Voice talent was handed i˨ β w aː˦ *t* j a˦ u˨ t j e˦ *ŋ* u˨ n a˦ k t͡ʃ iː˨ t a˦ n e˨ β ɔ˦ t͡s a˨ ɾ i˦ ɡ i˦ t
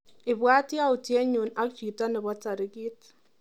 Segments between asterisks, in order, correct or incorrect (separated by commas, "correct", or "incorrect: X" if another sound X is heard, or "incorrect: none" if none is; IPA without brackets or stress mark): correct, incorrect: ɲ